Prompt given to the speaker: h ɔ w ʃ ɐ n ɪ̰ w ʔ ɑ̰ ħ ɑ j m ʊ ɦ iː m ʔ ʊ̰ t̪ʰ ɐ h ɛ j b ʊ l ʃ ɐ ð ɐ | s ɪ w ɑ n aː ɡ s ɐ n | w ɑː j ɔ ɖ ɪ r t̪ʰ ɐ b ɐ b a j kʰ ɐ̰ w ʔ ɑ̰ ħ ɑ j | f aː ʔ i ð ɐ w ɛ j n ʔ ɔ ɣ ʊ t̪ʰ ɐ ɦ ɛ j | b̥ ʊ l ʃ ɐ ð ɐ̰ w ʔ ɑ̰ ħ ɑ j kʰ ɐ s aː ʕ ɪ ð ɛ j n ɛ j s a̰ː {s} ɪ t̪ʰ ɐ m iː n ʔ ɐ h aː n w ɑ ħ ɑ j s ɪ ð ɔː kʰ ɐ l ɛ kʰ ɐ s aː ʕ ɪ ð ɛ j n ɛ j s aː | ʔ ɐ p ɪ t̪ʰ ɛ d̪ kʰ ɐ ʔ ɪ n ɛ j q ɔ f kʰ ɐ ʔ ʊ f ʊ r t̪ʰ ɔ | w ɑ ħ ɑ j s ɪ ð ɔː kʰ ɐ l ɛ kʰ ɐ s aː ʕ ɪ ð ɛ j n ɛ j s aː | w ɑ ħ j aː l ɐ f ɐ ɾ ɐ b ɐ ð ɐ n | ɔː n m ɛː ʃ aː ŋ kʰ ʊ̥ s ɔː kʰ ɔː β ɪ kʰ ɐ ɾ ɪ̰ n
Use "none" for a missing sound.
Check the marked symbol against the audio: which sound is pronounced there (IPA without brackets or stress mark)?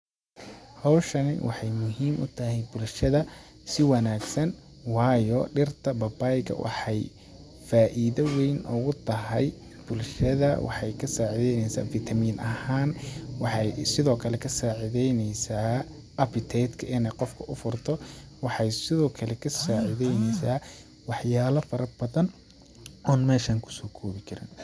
f